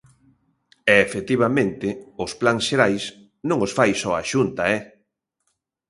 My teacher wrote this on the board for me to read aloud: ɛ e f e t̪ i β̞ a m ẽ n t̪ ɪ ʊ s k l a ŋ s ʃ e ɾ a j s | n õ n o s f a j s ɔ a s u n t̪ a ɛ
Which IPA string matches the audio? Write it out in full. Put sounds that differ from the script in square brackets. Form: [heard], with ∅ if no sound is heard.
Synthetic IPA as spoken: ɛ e f e t̪ i β̞ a m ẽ n t̪ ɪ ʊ s [p] l a ŋ s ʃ e ɾ a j s | n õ [ŋ] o s f a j s ɔ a [ʃ] u n t̪ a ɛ